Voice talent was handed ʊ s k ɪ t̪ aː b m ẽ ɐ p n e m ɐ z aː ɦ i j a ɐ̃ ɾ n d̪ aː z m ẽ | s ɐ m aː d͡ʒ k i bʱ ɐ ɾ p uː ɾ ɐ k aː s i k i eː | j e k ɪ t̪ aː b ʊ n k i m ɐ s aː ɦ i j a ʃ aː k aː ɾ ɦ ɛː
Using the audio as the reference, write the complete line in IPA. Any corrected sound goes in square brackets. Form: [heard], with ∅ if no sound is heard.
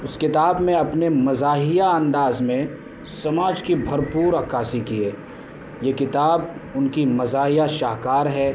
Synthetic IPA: ʊ s k ɪ t̪ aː b m ẽ ɐ p n e m ɐ z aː ɦ i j a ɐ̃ [∅] n d̪ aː z m ẽ | s ɐ m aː d͡ʒ k i bʱ ɐ ɾ p uː ɾ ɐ k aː s i k i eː | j e k ɪ t̪ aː b ʊ n k i m ɐ [z] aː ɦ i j a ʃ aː k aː ɾ ɦ ɛː